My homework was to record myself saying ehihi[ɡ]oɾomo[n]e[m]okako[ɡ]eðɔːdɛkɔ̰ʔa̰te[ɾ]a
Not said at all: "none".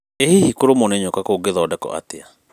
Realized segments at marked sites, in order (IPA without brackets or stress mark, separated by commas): k, n, ɲ, ɡ, none